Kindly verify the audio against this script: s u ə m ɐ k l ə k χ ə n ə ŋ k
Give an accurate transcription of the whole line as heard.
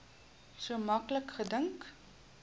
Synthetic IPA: s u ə m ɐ k l ə k χ ə d ə ŋ k